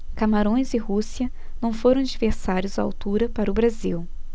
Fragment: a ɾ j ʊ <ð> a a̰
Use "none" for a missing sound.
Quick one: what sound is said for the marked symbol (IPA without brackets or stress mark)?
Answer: z